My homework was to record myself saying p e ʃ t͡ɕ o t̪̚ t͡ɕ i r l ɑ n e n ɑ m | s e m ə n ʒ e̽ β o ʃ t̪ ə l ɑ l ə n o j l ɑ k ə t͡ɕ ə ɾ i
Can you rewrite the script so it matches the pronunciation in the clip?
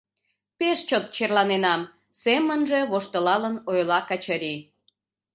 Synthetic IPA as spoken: p e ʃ t͡ɕ o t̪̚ t͡ɕ e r l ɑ n e n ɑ m | s e m ə n ʒ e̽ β o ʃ t̪ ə l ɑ l ə n o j l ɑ k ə t͡ɕ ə ɾ i